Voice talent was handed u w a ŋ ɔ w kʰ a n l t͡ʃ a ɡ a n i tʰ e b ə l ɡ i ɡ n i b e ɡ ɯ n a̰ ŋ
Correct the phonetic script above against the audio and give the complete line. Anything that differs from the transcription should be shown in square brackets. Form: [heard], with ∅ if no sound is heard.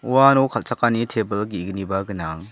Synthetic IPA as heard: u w a [n] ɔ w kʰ a [∅] l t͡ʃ a [k] a n i tʰ e b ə l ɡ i ɡ n i b [a] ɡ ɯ n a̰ ŋ